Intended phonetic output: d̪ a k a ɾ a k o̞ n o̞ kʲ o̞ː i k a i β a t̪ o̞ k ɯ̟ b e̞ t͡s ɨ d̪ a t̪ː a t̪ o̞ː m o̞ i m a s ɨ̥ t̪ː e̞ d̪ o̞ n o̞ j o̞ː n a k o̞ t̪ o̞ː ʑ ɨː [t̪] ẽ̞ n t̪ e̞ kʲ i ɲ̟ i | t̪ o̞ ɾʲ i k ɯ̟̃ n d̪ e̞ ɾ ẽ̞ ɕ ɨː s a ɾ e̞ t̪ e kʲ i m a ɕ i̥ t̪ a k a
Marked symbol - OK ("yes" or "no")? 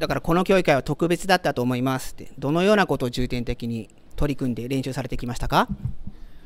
yes